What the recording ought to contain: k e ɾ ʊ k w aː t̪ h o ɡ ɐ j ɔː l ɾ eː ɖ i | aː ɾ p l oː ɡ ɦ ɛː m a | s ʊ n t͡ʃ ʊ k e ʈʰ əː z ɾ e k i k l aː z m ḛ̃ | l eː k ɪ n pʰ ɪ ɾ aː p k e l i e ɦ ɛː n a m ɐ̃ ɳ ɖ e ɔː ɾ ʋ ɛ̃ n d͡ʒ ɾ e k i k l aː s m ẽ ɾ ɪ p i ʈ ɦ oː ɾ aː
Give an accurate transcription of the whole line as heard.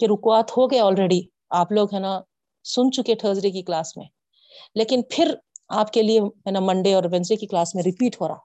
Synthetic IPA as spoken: k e ɾ ʊ k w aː t̪ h o ɡ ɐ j ɔː l ɾ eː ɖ i | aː p l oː ɡ ɦ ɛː n a | s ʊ n t͡ʃ ʊ k e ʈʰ əː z ɾ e k i k l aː s m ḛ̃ | l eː k ɪ n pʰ ɪ ɾ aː p k e l i e ɦ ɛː n a m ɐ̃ ɳ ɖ e ɔː ɾ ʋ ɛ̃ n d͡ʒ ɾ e k i k l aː s m ẽ ɾ ɪ p iː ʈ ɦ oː ɾ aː